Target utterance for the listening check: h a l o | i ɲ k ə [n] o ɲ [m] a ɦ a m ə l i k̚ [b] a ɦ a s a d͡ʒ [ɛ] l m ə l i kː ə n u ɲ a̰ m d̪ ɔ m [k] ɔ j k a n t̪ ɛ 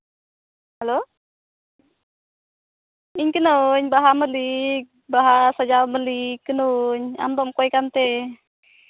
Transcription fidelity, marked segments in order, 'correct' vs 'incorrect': correct, incorrect: b, correct, incorrect: a, correct

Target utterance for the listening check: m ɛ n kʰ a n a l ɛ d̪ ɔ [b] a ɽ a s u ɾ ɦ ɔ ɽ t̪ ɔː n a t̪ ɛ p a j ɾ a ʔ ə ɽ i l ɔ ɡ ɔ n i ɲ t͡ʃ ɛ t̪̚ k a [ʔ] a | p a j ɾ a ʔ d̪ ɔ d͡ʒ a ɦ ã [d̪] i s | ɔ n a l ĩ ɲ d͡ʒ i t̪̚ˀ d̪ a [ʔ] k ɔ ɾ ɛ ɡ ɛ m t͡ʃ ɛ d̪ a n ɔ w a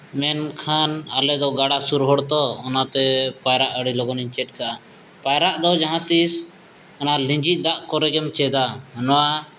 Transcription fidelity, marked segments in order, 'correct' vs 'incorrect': incorrect: ɡ, correct, incorrect: t̪, correct

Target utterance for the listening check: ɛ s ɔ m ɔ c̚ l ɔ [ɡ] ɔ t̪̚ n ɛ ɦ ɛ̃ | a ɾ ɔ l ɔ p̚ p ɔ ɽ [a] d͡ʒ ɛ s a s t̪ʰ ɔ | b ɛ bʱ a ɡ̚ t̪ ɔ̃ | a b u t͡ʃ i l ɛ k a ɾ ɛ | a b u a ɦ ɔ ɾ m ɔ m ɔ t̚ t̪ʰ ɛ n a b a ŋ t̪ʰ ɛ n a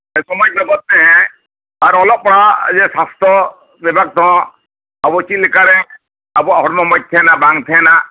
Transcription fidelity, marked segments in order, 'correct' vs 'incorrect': correct, correct

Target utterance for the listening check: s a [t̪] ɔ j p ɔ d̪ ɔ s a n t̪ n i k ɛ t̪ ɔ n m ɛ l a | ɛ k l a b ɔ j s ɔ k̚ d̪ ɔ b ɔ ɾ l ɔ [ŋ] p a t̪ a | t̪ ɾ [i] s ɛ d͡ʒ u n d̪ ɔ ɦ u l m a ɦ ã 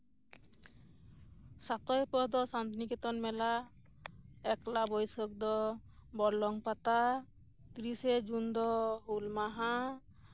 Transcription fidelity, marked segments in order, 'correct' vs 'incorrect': correct, correct, correct

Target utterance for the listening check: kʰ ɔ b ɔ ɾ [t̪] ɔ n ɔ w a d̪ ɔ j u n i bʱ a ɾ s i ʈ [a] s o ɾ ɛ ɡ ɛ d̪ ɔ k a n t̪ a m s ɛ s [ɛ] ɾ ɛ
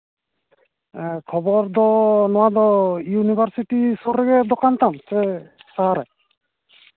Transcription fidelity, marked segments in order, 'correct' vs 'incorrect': incorrect: d̪, incorrect: i, incorrect: a

